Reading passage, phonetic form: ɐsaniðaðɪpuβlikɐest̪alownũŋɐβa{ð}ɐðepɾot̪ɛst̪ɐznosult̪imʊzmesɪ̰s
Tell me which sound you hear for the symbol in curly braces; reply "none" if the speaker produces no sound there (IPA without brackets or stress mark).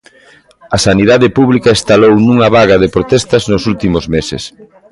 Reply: ɣ